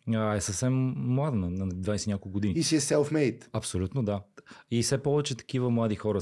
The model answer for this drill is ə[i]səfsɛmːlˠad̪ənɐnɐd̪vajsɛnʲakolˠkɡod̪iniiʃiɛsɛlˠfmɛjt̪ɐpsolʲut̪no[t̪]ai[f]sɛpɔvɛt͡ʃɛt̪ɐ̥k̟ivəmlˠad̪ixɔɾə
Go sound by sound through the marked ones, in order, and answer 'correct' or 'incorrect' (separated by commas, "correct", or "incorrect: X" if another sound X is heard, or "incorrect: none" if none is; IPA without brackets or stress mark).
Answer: incorrect: ɛ, incorrect: d̪, correct